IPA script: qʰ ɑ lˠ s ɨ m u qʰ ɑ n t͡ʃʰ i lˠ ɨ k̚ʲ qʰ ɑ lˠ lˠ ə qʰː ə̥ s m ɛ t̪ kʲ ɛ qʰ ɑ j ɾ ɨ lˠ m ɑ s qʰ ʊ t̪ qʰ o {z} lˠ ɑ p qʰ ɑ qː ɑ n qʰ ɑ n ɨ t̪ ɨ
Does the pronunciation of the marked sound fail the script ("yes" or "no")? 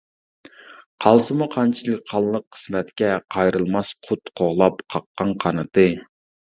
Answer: yes